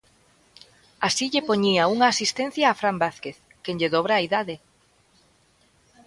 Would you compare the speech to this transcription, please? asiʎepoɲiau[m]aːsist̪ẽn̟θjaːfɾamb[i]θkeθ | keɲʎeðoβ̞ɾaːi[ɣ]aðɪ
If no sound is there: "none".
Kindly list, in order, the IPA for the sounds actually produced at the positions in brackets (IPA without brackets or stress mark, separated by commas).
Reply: ŋ, a, ð